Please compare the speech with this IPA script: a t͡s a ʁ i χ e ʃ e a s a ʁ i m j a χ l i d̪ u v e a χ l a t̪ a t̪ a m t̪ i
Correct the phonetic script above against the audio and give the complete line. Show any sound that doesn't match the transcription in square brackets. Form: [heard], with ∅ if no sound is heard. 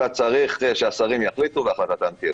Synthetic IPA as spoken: a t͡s a ʁ i χ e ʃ e a s a ʁ i m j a χ l i [t̪] u v e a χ l a t̪ a t̪ a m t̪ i